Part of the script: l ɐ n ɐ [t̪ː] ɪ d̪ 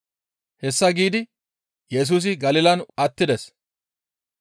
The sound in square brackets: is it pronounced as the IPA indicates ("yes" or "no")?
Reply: yes